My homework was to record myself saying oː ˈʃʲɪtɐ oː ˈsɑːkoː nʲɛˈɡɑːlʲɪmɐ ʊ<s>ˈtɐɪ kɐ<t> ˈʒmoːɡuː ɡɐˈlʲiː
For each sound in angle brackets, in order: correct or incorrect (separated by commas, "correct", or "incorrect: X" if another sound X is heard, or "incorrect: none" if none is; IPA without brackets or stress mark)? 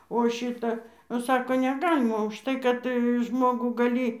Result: incorrect: ʃ, correct